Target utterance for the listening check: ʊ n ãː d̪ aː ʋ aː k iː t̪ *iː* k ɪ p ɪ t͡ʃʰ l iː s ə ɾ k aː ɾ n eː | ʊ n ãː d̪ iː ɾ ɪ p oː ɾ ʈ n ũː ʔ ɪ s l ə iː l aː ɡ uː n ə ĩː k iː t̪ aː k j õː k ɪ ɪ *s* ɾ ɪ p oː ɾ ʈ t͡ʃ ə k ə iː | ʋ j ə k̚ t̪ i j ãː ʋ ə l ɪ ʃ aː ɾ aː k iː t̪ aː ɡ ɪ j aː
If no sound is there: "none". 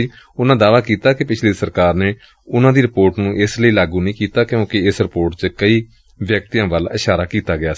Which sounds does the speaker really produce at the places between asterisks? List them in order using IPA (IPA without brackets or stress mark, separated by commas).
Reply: aː, s